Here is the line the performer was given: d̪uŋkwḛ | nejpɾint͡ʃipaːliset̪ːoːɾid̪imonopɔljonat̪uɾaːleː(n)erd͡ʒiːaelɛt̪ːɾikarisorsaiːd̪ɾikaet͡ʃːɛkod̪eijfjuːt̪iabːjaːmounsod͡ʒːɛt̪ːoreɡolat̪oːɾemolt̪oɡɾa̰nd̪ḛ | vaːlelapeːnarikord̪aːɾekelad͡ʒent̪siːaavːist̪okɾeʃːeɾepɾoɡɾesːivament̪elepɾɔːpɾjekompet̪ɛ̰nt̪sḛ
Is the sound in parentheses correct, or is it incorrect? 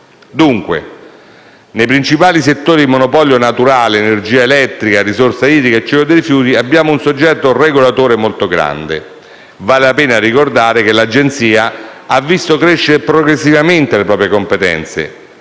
correct